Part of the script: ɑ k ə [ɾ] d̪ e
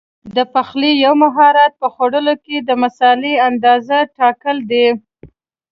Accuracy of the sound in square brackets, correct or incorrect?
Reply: incorrect